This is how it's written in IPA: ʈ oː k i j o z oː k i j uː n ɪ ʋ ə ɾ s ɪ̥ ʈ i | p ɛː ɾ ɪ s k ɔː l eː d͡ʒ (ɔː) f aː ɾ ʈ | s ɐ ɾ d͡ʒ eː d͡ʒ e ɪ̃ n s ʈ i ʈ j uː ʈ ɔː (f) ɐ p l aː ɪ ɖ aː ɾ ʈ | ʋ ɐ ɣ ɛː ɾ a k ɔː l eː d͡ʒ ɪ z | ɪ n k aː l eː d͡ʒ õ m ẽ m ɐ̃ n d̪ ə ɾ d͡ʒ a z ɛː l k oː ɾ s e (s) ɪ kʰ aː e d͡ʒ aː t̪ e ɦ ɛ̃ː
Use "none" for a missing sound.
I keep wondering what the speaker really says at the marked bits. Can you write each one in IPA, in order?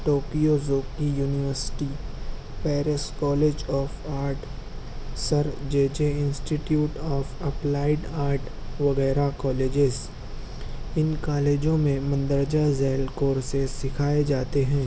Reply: ɔː, f, s

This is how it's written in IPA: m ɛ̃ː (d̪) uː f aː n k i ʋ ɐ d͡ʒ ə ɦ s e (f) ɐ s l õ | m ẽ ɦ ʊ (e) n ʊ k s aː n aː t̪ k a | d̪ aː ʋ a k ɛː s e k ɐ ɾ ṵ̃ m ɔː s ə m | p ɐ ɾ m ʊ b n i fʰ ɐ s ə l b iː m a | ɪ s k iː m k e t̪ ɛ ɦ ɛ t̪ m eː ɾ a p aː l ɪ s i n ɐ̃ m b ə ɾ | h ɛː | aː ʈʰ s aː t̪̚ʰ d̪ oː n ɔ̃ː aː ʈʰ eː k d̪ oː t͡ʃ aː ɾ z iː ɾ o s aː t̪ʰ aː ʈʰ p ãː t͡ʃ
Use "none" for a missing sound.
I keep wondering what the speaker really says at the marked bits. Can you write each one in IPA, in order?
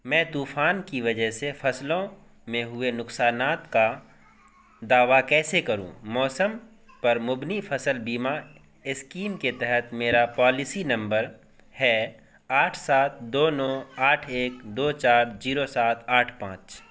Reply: t̪, f, e

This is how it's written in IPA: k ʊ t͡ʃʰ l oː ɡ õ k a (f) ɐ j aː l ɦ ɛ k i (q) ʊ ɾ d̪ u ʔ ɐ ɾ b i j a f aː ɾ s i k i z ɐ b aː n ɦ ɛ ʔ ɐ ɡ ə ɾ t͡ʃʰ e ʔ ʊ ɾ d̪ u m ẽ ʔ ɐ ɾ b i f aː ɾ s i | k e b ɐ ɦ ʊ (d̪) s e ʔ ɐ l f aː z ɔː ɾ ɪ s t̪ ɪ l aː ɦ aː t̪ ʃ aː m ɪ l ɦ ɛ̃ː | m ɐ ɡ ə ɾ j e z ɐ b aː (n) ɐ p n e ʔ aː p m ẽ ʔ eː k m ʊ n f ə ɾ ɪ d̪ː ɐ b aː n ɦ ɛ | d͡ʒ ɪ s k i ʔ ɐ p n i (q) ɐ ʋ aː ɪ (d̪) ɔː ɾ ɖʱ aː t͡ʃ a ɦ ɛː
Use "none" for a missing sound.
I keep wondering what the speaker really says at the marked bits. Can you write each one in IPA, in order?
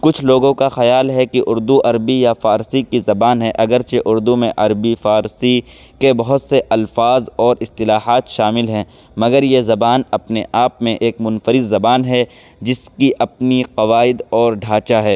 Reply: x, ʔ, t̪, n, q, d̪

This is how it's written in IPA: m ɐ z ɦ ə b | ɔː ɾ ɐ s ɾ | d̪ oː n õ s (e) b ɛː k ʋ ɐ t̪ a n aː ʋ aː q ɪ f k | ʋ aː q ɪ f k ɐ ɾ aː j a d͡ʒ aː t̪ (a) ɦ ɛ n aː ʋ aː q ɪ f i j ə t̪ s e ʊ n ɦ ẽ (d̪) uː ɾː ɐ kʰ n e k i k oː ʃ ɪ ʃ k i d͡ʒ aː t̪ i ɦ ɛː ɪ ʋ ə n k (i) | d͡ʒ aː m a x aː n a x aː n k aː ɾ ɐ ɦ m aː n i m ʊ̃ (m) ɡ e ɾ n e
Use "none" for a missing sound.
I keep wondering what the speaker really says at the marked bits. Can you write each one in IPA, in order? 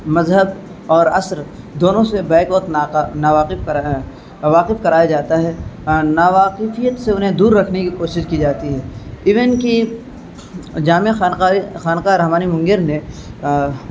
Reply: e, a, d̪, i, ŋ

